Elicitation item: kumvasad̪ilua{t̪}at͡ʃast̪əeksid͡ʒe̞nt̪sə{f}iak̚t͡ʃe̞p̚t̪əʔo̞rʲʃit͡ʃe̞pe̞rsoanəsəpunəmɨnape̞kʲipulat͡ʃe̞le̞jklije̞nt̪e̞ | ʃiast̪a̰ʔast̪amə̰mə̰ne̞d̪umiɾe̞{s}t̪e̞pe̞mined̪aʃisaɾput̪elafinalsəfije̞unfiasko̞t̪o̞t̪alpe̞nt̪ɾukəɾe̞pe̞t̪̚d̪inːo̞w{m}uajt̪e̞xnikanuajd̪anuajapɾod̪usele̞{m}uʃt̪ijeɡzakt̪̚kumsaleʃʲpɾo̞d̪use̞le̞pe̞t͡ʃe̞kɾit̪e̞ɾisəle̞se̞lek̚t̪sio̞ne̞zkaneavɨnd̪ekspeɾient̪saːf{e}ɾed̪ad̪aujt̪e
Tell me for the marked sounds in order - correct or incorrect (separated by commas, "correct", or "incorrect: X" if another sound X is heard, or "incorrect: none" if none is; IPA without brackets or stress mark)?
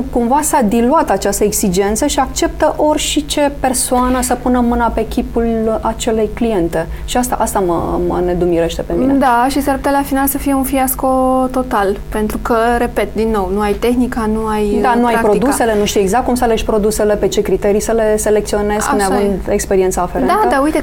correct, incorrect: ʃ, incorrect: ʃ, incorrect: n, incorrect: n, correct